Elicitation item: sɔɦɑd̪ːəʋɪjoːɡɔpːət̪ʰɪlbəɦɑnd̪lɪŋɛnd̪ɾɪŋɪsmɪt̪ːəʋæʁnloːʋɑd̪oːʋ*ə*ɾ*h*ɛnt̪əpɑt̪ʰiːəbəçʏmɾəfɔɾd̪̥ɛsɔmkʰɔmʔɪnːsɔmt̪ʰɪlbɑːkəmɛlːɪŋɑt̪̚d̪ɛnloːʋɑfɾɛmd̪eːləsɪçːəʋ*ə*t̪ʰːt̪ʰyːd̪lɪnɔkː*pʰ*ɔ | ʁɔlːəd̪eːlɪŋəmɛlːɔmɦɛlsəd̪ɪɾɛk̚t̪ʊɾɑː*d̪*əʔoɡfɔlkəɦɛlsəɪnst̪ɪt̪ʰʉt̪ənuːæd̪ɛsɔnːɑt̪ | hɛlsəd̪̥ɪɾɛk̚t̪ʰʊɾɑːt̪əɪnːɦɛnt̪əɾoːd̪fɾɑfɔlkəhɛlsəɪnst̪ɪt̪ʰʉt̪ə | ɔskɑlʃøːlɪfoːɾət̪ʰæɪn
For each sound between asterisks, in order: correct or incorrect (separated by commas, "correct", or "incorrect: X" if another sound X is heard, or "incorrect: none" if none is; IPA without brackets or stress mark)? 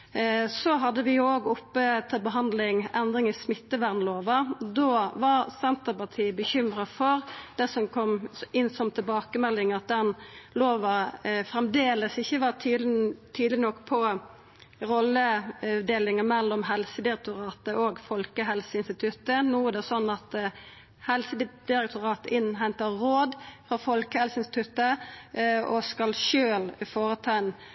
incorrect: ɑ, incorrect: s, incorrect: ɑ, correct, incorrect: t̪